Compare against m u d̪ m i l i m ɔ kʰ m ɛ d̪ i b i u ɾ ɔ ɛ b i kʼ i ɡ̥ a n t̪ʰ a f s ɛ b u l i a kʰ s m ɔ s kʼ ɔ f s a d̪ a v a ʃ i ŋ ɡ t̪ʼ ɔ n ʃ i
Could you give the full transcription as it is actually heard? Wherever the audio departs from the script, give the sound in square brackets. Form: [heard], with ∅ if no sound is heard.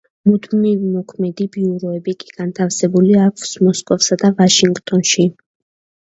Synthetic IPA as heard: m u d̪ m i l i m ɔ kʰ m ɛ d̪ i b i u ɾ ɔ ɛ b i kʼ i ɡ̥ a n t̪ʰ a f s ɛ b u l i a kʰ s m ɔ s kʼ ɔ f s a d̪ a v a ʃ i ŋ ɡ t̪ʼ ɔ n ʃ i